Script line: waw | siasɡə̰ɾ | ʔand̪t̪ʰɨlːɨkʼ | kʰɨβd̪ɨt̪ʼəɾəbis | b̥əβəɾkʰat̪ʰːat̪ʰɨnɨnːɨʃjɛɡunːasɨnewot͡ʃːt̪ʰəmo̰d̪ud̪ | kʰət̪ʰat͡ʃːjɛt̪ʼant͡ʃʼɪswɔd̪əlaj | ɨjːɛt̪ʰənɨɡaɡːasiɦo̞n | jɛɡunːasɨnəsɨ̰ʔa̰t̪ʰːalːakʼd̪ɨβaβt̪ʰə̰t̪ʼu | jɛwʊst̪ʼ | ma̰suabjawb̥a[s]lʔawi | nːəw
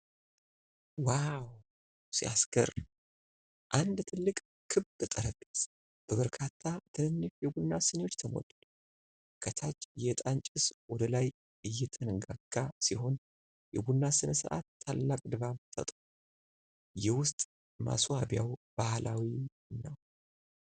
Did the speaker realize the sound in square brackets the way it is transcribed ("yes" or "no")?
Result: no